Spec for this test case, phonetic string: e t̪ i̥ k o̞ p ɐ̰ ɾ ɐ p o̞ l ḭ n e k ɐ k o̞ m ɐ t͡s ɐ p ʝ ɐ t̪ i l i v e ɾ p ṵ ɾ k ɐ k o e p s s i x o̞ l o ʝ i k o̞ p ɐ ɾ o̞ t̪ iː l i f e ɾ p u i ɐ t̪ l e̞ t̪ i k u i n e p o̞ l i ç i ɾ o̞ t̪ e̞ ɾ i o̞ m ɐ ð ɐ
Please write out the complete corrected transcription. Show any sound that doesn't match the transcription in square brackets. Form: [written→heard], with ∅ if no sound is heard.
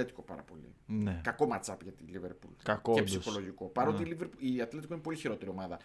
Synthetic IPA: e t̪ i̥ k o̞ p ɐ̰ ɾ ɐ p o̞ l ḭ n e k ɐ k o̞ m ɐ t͡s ɐ p ʝ ɐ t̪ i l i v e ɾ p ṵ [ɾ→l] k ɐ k o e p s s i x o̞ l o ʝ i k o̞ p ɐ ɾ o̞ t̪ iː l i [f→v] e ɾ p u i ɐ t̪ l e̞ t̪ i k [u→o] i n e p o̞ l i ç i ɾ o̞ t̪ e̞ ɾ i o̞ m ɐ ð ɐ